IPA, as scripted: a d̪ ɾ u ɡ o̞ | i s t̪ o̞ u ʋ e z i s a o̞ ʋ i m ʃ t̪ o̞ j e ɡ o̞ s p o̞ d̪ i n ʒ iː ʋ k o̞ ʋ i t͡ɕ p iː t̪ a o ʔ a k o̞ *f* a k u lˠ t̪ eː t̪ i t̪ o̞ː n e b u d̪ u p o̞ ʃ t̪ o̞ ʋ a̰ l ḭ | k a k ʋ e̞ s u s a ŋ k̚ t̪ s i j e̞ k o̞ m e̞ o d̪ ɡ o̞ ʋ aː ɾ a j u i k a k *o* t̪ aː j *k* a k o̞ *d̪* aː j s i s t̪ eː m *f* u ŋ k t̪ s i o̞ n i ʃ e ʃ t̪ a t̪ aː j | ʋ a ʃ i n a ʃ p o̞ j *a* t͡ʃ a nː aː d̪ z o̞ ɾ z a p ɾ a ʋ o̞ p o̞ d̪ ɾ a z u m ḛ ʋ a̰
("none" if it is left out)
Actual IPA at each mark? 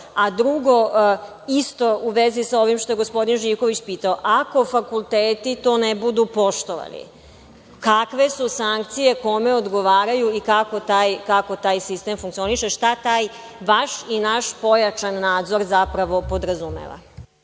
f, o, k, t̪, f, a

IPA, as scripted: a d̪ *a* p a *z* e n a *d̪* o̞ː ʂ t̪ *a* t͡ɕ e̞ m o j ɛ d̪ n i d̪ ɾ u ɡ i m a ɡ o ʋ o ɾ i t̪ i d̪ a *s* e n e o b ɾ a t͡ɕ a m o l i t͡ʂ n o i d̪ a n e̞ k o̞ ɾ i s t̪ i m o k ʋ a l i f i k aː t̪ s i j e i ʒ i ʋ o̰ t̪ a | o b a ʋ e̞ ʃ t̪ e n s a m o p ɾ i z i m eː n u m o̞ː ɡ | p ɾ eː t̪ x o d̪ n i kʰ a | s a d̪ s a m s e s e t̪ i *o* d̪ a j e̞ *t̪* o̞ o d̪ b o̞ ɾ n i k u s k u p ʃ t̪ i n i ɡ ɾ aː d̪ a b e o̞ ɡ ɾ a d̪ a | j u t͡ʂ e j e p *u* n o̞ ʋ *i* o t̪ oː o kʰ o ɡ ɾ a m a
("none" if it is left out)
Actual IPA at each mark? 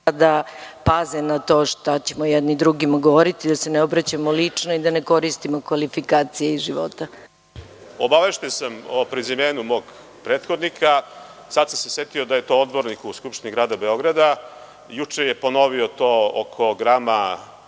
a, z, t̪, a, s, o, t̪, o, i

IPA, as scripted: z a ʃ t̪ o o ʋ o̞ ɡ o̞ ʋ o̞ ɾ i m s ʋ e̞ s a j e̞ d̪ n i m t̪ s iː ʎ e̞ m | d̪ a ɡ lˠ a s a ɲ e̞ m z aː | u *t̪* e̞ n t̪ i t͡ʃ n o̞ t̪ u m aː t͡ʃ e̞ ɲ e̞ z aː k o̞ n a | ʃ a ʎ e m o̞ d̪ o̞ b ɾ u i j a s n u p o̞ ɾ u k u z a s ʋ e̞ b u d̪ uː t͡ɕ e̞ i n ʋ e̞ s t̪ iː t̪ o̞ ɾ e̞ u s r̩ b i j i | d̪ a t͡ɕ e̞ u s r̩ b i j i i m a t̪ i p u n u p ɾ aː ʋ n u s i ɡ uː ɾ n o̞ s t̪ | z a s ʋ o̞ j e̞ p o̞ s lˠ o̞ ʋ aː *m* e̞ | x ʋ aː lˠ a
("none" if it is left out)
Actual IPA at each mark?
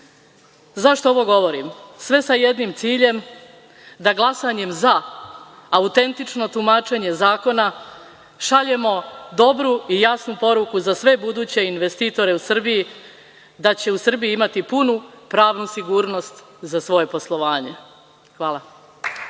t̪, ɲ

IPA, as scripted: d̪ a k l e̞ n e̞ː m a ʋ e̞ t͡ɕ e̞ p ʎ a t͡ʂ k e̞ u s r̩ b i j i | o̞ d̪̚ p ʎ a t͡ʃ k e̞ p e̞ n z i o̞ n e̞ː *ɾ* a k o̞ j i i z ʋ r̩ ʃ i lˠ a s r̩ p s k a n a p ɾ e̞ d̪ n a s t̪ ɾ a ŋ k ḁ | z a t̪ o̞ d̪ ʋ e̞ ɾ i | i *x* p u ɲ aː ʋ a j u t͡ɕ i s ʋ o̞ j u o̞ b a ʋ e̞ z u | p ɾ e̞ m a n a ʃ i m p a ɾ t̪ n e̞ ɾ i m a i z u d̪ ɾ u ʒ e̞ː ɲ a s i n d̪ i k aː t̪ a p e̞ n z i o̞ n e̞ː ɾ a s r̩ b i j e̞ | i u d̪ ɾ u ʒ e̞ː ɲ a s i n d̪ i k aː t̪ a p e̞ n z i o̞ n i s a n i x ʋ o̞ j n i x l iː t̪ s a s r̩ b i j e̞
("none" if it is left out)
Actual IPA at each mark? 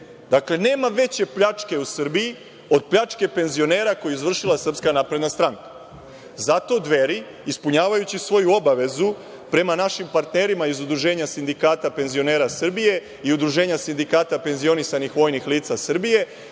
ɾ, s

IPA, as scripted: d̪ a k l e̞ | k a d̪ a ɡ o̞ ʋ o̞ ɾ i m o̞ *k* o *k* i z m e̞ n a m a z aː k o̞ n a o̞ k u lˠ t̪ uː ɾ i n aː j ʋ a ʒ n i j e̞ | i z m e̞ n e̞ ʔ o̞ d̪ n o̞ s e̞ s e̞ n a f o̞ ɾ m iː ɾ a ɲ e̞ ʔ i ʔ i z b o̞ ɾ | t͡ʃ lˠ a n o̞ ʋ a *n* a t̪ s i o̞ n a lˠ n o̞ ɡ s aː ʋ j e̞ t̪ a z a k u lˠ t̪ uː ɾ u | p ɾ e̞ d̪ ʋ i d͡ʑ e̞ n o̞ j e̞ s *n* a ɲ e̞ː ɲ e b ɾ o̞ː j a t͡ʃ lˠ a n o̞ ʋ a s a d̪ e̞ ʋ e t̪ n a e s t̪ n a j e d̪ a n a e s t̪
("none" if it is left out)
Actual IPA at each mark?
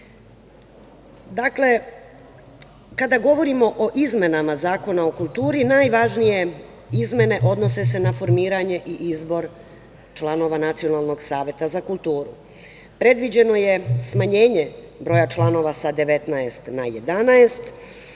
ʔ, ʔ, n, m

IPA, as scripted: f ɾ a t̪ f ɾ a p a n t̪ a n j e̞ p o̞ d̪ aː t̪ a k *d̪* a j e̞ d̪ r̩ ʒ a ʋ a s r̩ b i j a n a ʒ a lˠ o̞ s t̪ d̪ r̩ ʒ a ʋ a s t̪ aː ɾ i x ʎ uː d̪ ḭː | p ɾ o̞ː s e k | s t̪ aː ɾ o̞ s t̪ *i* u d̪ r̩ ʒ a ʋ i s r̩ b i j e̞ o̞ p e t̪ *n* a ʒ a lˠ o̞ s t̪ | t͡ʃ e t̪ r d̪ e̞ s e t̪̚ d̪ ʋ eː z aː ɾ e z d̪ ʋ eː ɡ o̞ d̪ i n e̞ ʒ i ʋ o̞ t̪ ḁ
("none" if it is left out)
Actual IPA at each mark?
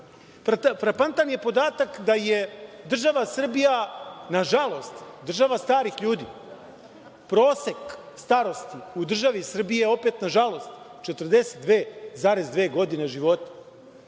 d̪, i, n

